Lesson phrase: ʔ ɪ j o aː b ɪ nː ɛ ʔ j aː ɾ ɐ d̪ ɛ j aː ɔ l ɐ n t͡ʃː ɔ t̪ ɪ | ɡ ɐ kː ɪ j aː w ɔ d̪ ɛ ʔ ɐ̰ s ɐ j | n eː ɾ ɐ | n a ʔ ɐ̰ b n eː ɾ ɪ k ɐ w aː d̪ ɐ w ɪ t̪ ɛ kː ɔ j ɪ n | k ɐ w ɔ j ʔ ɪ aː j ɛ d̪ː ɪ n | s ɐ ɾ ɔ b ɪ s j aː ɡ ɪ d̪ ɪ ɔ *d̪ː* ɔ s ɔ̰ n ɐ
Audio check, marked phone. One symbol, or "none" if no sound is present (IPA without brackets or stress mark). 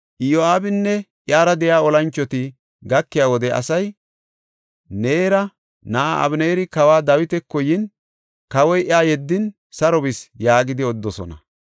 d̪ː